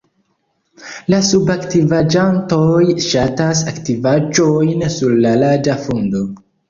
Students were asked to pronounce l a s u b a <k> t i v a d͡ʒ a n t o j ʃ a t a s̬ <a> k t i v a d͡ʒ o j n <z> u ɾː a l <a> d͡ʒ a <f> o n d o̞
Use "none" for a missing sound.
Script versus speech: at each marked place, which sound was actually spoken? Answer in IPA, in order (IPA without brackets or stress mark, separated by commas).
k, a, s, a, f